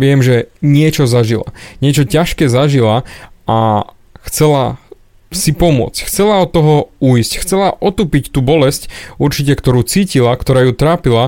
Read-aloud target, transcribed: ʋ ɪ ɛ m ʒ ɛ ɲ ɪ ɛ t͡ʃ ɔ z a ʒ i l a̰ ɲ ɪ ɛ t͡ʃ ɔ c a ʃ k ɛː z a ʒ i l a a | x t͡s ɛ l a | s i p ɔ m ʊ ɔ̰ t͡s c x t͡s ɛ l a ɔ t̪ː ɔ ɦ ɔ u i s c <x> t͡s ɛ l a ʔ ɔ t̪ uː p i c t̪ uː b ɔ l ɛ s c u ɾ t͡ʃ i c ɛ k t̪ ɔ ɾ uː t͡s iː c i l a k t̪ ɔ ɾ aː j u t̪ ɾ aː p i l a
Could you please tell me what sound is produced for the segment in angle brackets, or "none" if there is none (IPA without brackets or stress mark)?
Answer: x